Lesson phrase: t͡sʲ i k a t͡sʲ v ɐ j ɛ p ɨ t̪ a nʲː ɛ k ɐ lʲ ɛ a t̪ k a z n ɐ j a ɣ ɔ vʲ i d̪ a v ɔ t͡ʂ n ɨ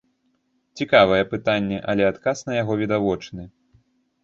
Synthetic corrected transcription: t͡sʲ i k a v ɐ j ɛ p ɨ t̪ a nʲː ɛ ʔ ɐ lʲ ɛ a t̪ k a s n ɐ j a ɣ ɔ vʲ i d̪ a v ɔ t͡ʂ n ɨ